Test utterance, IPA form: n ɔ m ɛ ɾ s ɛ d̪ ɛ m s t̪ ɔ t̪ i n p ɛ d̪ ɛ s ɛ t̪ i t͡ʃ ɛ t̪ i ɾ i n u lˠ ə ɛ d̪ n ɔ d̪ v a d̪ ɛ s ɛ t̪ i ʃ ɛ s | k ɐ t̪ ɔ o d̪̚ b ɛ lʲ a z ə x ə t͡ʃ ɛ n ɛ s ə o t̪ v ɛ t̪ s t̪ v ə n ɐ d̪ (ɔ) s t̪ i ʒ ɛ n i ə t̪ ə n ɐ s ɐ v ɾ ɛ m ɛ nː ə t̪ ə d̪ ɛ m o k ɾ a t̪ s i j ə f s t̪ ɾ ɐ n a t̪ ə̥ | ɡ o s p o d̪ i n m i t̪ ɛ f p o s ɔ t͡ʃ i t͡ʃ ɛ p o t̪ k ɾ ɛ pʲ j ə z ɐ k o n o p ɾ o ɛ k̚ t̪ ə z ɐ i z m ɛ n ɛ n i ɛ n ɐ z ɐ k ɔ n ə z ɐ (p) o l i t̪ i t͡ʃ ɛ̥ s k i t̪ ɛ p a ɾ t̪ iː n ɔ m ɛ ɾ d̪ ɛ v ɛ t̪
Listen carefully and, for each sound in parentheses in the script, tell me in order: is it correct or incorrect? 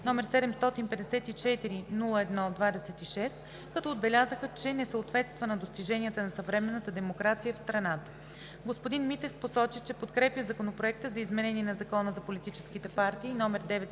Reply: incorrect, correct

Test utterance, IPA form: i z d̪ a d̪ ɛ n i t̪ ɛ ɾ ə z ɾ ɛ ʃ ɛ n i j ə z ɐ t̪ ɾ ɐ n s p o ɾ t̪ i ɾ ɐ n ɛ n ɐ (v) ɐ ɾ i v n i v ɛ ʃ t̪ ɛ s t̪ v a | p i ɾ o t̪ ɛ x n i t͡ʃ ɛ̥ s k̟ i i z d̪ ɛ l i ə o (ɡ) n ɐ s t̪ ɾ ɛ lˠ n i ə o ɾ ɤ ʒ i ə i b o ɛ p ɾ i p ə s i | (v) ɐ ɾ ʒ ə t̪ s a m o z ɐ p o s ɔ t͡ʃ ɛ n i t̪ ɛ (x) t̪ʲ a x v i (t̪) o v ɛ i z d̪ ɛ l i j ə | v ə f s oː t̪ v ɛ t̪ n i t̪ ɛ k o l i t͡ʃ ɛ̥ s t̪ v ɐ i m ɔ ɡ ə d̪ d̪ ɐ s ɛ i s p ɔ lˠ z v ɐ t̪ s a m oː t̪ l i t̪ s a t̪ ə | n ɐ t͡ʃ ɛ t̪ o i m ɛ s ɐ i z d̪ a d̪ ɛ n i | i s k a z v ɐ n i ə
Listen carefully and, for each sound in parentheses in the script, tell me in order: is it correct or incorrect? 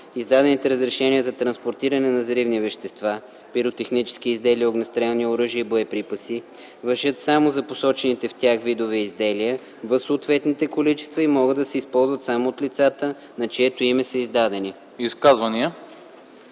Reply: incorrect, correct, correct, incorrect, incorrect

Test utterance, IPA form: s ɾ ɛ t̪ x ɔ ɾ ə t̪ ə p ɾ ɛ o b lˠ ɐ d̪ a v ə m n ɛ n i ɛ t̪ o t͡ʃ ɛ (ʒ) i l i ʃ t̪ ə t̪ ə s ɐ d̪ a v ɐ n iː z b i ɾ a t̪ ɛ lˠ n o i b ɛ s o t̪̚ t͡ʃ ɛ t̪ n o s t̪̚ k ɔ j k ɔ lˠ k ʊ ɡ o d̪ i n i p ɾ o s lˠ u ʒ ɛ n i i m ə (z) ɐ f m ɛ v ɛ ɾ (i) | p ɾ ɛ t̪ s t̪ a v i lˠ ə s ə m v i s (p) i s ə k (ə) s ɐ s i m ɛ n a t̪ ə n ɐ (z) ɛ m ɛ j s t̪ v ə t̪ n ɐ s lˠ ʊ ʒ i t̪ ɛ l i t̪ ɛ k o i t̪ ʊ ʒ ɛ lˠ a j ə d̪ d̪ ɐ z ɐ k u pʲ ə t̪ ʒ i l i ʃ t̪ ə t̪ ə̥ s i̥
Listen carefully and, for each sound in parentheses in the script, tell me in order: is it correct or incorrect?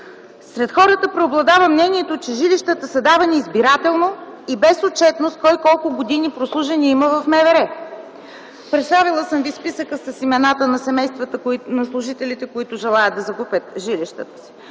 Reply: correct, incorrect, incorrect, correct, correct, incorrect

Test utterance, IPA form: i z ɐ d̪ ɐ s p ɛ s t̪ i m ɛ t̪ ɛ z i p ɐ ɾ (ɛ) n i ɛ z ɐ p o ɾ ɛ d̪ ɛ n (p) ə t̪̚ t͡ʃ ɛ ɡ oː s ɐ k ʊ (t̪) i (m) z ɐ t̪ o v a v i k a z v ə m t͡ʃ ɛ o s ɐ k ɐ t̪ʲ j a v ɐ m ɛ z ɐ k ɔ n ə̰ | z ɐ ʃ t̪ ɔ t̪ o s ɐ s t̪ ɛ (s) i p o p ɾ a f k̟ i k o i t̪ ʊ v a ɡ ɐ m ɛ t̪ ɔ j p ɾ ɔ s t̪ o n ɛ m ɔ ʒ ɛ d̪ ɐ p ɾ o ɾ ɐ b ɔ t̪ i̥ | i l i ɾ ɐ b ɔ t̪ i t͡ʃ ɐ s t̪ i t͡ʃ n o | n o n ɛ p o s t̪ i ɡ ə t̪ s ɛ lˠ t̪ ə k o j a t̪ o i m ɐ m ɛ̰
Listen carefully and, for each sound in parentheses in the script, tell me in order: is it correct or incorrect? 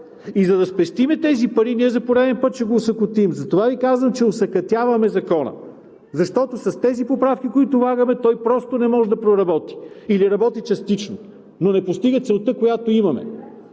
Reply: incorrect, correct, correct, correct, incorrect

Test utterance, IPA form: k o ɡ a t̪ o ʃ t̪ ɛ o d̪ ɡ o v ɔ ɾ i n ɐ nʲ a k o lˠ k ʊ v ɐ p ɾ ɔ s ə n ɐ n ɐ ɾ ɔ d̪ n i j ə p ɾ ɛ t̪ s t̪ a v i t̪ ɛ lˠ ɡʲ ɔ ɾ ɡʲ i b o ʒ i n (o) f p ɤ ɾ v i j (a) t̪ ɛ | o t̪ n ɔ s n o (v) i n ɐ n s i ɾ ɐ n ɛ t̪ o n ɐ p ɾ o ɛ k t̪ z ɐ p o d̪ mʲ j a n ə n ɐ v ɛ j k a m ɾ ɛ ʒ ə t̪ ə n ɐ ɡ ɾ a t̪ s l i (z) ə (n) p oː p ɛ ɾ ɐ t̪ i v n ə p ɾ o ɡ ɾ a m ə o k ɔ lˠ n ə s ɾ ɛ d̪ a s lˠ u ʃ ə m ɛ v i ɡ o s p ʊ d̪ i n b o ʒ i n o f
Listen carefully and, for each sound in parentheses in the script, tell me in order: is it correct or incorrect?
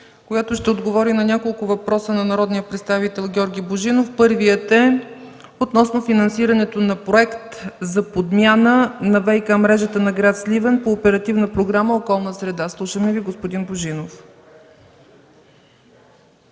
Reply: correct, incorrect, incorrect, incorrect, correct

